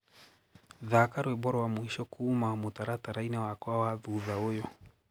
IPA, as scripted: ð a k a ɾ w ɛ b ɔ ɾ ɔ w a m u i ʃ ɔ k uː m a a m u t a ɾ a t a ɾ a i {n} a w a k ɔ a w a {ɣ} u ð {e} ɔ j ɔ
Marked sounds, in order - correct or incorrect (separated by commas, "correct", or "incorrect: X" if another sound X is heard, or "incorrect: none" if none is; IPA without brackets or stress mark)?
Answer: correct, incorrect: ð, incorrect: a